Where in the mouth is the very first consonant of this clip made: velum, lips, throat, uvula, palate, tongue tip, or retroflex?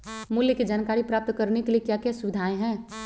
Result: lips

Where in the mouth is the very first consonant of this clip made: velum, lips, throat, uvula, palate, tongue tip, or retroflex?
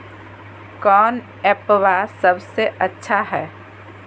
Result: velum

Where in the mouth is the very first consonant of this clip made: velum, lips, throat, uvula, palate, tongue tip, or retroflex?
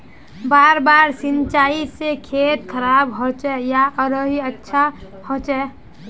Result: lips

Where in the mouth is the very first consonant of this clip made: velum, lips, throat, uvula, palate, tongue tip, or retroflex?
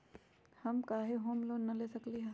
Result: throat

